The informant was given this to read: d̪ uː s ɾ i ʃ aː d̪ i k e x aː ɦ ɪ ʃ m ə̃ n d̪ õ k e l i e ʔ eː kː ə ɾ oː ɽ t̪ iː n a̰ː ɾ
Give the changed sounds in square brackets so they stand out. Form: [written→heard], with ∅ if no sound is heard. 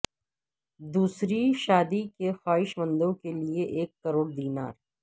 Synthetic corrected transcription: d̪ uː s ɾ i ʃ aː d̪ i k e x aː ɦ ɪ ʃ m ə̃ n d̪ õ k e l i e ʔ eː kː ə ɾ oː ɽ [t̪→d̪] iː n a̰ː ɾ